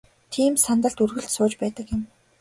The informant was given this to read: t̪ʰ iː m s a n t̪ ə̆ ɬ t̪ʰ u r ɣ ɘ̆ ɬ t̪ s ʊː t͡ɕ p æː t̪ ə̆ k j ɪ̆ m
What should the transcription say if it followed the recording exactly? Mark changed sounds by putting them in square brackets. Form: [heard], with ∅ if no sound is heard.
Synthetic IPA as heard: t̪ʰ iː m s a n t̪ ə̆ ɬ [t̪] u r ɣ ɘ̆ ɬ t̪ s ʊː t͡ɕ p æː t̪ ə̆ k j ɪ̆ m